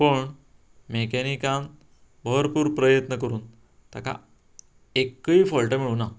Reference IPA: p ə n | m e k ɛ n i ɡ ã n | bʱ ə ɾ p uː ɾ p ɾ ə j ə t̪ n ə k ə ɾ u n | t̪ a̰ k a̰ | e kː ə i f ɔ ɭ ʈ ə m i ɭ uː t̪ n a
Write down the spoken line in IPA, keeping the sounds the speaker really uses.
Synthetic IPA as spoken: p ə ɳ | m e k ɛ n i k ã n | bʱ ə ɾ p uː ɾ p ɾ ə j ə t̪ n ə k ə ɾ uː n | t̪ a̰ k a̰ | e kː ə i f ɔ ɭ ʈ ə m i ɭ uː n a